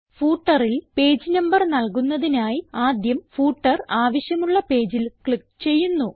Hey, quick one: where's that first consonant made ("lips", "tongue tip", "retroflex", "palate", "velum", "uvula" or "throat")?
lips